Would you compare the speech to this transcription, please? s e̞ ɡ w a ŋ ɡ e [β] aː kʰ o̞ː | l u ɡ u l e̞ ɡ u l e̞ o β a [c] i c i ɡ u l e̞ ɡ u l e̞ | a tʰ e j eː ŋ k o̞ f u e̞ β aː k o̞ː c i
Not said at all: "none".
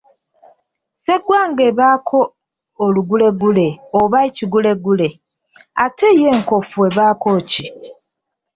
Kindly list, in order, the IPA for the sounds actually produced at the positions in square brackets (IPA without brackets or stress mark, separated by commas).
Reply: β, none